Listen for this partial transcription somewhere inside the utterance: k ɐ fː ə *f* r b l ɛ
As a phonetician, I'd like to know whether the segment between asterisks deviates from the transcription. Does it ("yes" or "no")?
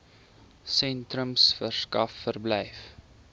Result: yes